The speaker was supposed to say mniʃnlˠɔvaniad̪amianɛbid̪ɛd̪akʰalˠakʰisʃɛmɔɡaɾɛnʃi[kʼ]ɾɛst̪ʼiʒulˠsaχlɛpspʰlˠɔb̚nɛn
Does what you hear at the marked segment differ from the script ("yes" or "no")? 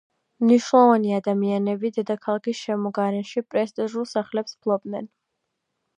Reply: yes